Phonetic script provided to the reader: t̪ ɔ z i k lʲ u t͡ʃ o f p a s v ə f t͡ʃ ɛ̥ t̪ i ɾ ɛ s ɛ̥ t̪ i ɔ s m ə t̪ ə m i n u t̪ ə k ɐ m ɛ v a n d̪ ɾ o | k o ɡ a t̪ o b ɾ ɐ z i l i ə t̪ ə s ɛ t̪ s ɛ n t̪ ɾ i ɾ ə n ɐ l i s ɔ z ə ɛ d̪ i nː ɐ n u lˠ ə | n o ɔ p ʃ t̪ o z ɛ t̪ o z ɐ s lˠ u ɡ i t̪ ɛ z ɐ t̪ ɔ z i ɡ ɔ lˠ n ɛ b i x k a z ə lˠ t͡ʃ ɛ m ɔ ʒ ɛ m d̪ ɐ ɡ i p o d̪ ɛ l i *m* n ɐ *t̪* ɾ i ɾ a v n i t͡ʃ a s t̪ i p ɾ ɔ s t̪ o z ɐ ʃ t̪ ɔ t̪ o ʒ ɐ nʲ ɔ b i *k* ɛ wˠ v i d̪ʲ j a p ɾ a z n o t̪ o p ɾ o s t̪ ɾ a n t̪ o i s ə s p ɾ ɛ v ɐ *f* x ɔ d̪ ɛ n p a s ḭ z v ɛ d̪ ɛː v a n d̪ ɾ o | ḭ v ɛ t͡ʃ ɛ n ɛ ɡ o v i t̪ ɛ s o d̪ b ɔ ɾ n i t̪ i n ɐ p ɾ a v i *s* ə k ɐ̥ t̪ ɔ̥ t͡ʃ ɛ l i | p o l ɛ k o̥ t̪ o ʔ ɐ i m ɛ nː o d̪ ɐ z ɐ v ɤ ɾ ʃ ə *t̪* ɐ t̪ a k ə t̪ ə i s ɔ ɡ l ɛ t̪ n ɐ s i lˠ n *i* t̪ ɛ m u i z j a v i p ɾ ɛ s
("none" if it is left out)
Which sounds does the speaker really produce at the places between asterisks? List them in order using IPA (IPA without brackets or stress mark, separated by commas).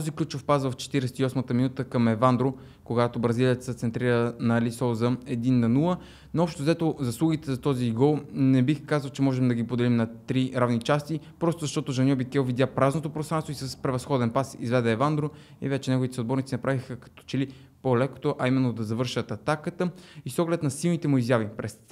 m, t̪, k, s, x, t̪, i